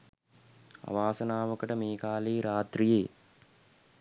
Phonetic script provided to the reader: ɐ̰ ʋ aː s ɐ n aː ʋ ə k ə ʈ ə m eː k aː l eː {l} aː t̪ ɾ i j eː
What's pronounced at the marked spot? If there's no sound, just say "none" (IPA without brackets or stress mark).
ɾ